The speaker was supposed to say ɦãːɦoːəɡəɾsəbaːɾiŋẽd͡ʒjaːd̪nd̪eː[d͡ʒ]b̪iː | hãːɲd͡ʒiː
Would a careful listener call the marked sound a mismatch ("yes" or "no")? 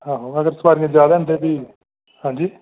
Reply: yes